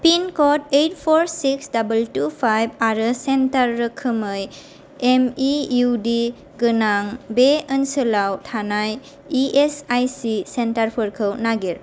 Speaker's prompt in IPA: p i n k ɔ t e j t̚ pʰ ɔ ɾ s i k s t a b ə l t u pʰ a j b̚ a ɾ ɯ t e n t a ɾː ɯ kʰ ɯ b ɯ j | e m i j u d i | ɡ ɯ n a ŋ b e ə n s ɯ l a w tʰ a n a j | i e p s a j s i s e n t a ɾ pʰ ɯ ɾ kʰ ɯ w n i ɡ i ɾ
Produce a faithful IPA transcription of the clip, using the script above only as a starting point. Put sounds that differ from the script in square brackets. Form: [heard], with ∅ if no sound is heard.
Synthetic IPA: p i n k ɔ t e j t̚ pʰ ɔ ɾ s i k s [d] a b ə l t u pʰ a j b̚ a ɾ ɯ [s] e n t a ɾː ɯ kʰ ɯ [m] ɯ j | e m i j u d i | ɡ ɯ n a ŋ b e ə n s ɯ l a w tʰ a n a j | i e [∅] s a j s i s e n t a ɾ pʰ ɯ ɾ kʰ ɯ w n [a] ɡ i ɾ